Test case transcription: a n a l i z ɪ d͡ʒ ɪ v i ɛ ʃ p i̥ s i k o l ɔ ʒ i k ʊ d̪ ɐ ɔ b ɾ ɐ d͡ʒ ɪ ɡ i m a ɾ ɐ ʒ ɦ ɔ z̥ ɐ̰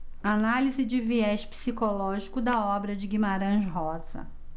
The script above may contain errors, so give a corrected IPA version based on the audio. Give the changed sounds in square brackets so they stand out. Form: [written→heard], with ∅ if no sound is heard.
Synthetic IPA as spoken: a n a l i z ɪ d͡ʒ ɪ v i ɛ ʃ p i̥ s i k o l ɔ ʒ i k ʊ d̪ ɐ ɔ b ɾ ɐ d͡ʒ ɪ ɡ i m a ɾ [ɐ→ɐ̃] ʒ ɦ ɔ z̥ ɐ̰